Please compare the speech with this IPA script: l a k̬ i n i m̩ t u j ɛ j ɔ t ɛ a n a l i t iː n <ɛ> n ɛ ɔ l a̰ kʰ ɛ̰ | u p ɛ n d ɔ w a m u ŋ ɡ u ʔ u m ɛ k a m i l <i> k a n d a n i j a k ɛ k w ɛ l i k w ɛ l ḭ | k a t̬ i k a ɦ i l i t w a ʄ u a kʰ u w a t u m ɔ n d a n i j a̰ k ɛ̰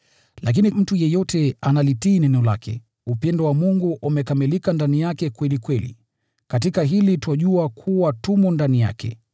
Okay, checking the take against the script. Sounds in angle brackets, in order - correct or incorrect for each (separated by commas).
correct, correct